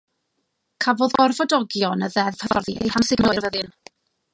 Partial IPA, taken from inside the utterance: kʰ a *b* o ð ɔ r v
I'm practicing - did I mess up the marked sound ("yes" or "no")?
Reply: yes